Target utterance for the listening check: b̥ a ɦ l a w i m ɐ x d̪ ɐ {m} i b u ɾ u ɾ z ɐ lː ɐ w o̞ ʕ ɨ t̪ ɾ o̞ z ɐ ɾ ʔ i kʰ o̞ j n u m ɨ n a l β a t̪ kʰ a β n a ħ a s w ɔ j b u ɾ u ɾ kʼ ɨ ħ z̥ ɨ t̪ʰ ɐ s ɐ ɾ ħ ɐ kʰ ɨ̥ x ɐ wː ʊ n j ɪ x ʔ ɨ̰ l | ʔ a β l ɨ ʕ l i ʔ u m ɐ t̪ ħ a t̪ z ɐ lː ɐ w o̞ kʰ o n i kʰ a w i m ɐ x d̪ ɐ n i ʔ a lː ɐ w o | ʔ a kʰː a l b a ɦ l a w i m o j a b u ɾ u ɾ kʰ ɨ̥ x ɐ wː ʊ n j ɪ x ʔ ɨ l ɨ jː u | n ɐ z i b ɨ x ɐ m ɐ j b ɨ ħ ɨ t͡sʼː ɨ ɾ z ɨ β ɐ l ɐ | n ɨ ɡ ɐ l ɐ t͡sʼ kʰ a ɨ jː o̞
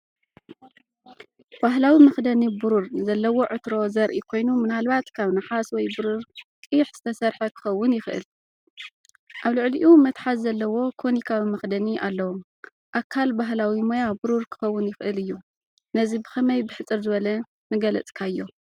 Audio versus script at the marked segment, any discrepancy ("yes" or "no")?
yes